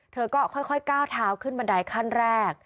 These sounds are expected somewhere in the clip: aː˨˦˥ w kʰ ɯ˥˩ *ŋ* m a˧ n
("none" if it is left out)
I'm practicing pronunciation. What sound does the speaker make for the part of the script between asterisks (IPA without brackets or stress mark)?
n